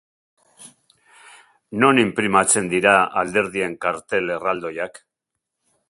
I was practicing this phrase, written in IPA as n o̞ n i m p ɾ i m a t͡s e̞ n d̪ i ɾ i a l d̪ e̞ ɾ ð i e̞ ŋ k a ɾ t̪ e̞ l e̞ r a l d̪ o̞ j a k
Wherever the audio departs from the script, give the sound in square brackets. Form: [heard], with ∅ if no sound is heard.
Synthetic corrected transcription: n o̞ n i m p ɾ i m a t͡s e̞ n d̪ i ɾ [a] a l d̪ e̞ ɾ ð i e̞ ŋ k a ɾ t̪ e̞ l e̞ r a l d̪ o̞ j a k